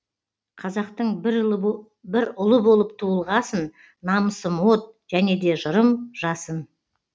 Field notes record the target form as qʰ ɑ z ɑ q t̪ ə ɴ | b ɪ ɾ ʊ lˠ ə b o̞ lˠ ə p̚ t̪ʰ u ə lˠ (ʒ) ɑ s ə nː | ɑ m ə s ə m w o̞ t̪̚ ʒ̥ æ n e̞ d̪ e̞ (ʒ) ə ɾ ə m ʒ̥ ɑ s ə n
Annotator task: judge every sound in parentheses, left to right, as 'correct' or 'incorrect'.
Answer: incorrect: ʁ, correct

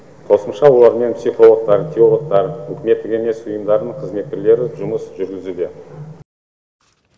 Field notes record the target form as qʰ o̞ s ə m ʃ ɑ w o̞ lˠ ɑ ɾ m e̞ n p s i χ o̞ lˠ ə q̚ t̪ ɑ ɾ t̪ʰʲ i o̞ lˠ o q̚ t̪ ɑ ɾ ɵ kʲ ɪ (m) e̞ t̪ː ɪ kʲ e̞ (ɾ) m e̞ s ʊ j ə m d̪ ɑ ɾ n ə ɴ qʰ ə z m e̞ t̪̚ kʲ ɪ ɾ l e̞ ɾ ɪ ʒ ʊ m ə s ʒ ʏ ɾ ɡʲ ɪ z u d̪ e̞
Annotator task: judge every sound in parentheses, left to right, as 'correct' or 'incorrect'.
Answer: correct, incorrect: none

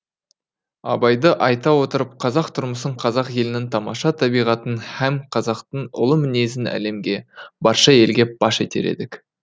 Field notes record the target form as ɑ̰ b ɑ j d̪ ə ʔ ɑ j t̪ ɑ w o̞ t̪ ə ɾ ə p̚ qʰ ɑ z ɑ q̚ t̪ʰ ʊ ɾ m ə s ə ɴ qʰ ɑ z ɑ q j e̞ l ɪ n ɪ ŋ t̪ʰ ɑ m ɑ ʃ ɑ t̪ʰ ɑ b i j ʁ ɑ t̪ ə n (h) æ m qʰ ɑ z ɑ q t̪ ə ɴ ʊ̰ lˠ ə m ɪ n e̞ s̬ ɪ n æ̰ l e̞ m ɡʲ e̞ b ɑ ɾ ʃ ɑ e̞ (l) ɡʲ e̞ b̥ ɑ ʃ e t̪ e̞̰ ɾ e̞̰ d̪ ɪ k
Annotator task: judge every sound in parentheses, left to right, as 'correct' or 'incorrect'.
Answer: correct, correct

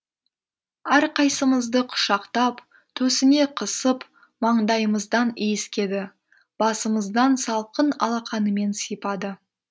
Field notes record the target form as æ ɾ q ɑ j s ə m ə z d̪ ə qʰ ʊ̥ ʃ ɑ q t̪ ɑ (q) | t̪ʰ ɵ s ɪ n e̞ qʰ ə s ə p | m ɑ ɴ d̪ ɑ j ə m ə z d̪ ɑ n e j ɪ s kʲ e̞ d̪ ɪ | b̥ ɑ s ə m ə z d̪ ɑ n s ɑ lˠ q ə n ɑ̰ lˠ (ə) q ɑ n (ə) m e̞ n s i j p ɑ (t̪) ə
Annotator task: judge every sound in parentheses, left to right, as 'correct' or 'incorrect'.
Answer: incorrect: p, incorrect: ɑ, correct, incorrect: d̪

